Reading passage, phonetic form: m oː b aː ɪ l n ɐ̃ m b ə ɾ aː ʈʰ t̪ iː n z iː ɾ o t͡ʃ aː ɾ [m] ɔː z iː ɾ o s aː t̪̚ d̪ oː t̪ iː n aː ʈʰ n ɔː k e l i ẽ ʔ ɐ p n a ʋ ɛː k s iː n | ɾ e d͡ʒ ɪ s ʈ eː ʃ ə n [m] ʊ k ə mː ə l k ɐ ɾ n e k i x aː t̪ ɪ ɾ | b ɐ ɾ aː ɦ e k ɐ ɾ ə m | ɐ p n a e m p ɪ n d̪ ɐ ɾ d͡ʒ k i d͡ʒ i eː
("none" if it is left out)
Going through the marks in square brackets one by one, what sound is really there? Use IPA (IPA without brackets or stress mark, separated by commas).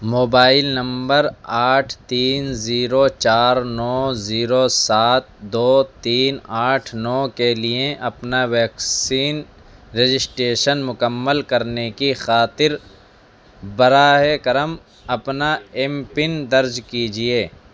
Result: n, m